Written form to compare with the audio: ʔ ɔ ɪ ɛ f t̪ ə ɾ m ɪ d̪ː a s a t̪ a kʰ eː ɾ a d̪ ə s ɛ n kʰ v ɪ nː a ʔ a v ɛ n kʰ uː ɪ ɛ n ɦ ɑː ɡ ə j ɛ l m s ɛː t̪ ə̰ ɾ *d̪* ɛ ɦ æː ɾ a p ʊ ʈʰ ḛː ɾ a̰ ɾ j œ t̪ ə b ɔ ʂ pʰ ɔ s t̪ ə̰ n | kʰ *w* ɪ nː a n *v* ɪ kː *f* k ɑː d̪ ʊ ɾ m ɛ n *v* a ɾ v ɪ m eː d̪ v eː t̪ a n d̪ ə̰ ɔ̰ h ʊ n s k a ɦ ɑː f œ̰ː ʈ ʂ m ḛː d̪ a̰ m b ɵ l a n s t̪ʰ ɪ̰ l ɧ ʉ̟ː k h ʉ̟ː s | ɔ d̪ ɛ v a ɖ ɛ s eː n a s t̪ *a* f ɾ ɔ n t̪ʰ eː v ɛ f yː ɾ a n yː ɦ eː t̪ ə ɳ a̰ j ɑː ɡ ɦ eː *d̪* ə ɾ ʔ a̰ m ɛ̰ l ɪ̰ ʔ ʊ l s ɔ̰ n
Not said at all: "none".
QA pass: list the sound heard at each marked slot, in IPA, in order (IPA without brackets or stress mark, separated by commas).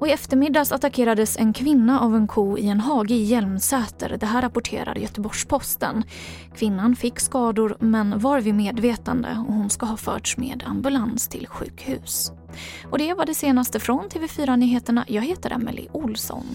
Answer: d̪, v, f, s, v, ə, t̪